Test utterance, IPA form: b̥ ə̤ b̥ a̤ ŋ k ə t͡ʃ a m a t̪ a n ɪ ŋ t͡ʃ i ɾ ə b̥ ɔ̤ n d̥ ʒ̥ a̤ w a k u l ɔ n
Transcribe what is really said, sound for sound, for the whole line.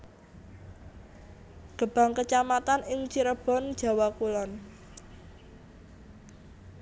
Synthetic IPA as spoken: ɡ̥ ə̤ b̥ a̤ ŋ k ə t͡ʃ a m a t̪ a n ɪ ŋ t͡ʃ i ɾ ə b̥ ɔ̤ n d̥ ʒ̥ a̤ w a k u l ɔ n